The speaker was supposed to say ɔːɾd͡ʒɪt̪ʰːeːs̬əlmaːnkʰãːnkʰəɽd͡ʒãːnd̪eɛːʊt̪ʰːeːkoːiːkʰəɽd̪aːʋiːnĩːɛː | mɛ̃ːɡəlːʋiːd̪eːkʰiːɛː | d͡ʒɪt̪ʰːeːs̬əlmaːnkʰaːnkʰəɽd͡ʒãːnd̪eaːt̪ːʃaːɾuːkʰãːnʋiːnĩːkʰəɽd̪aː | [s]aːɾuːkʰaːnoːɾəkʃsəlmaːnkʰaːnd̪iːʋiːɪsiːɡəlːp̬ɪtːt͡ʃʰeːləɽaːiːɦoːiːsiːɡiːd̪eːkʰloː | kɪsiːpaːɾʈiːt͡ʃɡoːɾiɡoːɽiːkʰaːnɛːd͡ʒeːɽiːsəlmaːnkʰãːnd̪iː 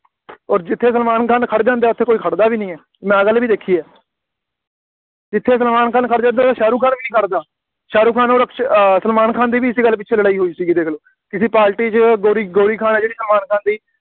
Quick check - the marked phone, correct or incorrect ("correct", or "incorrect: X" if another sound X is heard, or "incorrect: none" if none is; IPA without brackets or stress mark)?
incorrect: ʃ